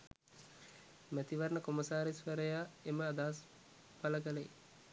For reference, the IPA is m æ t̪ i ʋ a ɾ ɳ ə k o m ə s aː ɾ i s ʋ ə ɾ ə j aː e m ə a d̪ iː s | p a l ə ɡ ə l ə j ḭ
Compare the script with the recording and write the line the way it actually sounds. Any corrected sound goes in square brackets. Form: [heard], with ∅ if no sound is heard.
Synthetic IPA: m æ t̪ i ʋ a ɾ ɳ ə k o m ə s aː ɾ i s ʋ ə ɾ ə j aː e m ə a d̪ [aː] s | p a l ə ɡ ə l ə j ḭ